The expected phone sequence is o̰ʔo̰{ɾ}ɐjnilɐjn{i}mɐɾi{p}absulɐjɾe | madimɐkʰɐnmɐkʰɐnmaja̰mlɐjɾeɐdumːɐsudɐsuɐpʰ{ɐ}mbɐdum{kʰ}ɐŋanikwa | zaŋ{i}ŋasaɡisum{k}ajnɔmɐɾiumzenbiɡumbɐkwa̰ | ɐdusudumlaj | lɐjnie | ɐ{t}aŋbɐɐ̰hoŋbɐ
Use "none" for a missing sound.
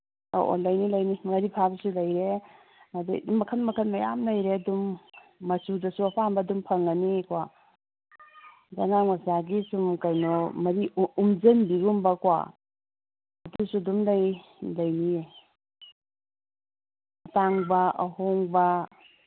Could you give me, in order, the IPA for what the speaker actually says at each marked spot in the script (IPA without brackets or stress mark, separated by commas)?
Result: l, i, pʰ, a, pʰ, a, k, t